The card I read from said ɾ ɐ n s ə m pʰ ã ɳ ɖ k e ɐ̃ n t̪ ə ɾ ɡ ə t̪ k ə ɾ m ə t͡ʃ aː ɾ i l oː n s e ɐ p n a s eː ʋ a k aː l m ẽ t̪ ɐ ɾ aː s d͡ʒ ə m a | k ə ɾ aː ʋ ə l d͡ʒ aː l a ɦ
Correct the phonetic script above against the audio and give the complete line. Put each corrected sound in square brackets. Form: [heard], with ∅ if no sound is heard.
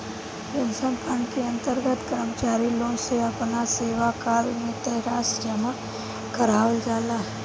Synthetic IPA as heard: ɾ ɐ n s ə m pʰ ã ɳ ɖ k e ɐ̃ n t̪ ə ɾ ɡ ə t̪ k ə ɾ m ə t͡ʃ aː ɾ i l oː n s e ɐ p n a s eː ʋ a k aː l m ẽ t̪ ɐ ɾ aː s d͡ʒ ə m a | k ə ɾ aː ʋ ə l d͡ʒ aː l a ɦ